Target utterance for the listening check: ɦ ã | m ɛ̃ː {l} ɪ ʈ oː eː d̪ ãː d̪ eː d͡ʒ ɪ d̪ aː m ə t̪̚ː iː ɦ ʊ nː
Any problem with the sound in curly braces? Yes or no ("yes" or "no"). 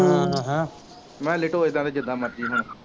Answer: no